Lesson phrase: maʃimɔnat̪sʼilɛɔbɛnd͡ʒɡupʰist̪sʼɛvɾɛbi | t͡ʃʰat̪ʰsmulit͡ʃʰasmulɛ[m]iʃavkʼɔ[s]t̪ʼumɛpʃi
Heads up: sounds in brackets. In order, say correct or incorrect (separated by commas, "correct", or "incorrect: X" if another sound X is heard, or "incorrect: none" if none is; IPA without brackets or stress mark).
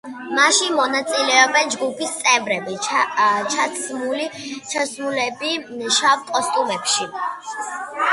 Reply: incorrect: b, correct